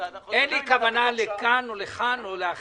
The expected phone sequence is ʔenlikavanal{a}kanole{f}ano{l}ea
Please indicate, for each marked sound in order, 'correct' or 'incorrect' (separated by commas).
incorrect, incorrect, correct